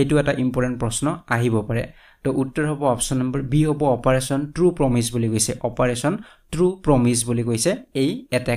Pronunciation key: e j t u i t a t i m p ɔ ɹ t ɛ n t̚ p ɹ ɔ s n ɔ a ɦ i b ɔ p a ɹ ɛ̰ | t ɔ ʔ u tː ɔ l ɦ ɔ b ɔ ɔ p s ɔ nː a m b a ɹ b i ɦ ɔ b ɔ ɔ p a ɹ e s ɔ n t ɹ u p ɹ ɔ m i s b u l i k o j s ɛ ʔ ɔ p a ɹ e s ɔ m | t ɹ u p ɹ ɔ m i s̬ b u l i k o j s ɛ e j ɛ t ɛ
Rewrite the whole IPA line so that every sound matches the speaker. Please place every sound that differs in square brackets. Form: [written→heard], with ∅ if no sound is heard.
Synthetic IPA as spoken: e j t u [i→ɛ] t a [t→ʔ] i m p ɔ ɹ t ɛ n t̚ p ɹ ɔ s n ɔ a ɦ i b ɔ p a ɹ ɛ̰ | t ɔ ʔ u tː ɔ [l→ɹ] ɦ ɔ b ɔ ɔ p s ɔ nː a m b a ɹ b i ɦ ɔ b ɔ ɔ p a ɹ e s ɔ n t ɹ u p ɹ ɔ m i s b u l i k o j s ɛ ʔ ɔ p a ɹ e s ɔ [m→n] | t ɹ u p ɹ ɔ m i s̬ b u l i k o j s ɛ e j ɛ t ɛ